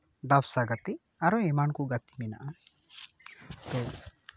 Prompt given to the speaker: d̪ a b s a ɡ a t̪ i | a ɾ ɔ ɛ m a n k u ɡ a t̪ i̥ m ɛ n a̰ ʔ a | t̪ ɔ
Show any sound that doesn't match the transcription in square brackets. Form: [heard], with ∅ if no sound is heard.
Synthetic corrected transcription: d̪ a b s a ɡ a t̪ i | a ɾ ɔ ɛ m a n k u ɡ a t̪ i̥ m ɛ n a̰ ʔ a | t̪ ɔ